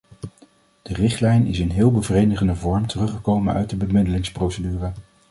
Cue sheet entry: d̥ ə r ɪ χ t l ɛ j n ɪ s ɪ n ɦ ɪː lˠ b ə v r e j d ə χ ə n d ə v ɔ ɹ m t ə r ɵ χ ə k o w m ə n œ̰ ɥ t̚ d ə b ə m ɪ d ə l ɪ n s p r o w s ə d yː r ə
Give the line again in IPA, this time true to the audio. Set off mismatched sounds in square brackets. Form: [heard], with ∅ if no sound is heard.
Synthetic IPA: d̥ ə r ɪ χ t l ɛ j n ɪ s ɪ n ɦ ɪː lˠ b ə v r e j d ə χ ə n d ə v ɔ ɹ m t ə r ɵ χ ə k o w m ə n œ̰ ɥ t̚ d ə b ə m ɪ d ə l ɪ [ŋ] s p r o w s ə d yː r ə

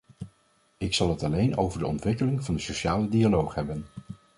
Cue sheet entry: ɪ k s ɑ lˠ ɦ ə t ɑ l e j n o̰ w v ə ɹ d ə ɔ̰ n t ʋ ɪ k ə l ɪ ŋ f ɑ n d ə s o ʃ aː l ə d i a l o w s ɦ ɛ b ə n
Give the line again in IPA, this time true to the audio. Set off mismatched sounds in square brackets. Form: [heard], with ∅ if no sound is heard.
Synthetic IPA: ɪ k s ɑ lˠ ɦ ə t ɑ l e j n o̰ w v ə ɹ d ə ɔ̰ n t ʋ ɪ k ə l ɪ ŋ [v] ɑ n d ə s o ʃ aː l ə d i a l o w [χ] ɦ ɛ b ə n

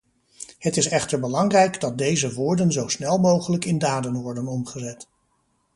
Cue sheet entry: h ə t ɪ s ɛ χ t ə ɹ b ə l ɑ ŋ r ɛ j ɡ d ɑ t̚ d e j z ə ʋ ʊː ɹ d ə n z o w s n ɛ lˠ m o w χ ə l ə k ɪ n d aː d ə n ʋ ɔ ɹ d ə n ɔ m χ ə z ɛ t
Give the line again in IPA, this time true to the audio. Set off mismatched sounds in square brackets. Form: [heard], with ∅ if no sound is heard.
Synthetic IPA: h ə t ɪ s ɛ χ t ə ɹ b ə l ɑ ŋ r ɛ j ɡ d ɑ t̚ d e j z ə ʋ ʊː ɹ d ə n z o w s n ɛ lˠ m o w χ ə l ə k ɪ n d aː d ə n ʋ ɔ ɹ d ə n ɔ m χ ə z ɛ t

